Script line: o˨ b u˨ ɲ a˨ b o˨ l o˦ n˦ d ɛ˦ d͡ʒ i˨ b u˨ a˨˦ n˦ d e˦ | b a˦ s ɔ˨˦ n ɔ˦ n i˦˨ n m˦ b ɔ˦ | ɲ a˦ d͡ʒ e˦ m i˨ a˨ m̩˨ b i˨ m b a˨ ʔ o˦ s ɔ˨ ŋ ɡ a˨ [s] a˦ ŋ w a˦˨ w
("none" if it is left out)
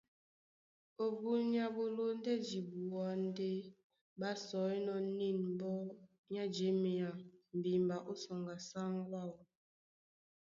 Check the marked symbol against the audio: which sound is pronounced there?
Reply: s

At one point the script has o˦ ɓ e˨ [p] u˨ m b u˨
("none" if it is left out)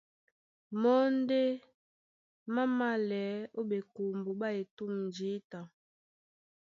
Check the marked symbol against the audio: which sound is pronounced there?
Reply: k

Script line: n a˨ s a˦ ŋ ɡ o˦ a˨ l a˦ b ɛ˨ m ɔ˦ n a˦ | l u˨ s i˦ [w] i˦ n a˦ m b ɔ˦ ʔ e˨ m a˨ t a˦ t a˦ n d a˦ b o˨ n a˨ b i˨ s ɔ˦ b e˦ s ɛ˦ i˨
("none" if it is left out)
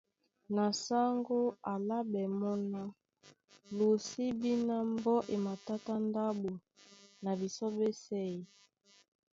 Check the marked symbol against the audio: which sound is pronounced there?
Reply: b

